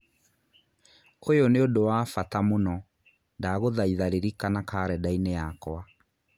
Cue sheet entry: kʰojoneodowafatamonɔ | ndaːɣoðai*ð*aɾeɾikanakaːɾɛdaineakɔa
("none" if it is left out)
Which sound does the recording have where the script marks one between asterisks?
ð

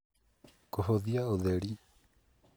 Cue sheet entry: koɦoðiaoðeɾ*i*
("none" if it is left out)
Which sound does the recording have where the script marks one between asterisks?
i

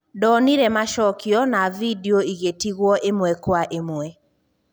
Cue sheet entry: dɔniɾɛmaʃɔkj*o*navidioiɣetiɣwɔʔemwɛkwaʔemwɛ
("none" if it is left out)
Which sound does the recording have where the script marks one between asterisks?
ɔ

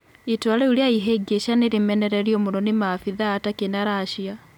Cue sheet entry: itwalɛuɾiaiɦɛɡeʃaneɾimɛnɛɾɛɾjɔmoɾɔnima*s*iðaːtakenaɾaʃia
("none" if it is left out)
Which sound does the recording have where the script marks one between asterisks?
f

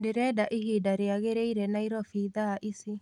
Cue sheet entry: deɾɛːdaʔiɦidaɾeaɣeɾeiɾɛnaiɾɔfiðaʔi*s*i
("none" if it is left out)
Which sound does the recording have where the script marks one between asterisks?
s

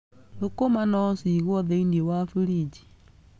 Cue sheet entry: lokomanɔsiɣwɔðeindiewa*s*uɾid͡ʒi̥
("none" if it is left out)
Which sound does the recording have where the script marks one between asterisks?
f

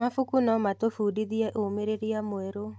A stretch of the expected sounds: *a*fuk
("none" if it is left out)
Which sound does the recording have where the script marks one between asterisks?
a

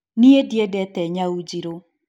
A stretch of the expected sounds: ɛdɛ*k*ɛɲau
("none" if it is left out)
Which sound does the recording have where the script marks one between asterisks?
t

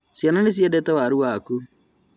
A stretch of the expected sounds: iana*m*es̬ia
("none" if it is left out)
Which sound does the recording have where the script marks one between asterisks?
n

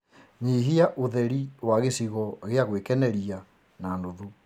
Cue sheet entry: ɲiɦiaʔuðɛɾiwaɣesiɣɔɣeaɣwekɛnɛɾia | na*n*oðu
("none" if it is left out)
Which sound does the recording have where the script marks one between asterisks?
n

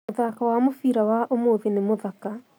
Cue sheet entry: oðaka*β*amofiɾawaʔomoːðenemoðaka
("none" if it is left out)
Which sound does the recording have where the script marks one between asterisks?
w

